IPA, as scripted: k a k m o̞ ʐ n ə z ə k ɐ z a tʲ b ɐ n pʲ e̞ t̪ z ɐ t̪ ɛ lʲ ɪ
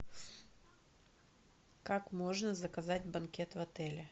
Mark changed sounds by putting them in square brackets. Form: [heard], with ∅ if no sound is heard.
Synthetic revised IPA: k a k m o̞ ʐ n ə z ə k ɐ z a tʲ b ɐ n [kʲ] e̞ t̪ [v] ɐ t̪ ɛ lʲ ɪ